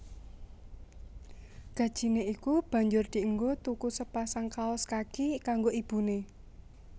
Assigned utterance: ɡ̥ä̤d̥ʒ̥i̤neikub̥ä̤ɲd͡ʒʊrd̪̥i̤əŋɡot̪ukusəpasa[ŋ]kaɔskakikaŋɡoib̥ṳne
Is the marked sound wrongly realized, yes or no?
no